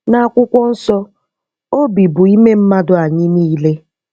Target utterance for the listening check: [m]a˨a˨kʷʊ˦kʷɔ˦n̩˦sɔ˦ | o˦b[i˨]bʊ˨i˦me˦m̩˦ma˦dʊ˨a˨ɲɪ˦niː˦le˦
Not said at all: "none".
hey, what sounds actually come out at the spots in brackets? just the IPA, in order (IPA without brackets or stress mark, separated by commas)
n, i˨